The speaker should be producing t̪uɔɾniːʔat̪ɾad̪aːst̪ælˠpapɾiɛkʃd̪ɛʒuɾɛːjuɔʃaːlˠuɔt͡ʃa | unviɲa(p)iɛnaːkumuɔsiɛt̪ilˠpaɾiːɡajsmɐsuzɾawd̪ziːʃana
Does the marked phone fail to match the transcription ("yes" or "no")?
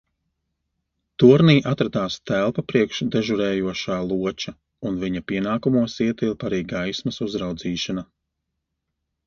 no